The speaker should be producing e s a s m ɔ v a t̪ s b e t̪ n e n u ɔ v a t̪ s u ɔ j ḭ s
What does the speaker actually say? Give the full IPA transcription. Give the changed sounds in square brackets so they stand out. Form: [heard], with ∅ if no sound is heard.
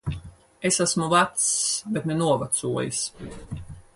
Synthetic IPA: e s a s m [u] v a t̪ s b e t̪ n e n u ɔ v a t̪ s u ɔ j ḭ s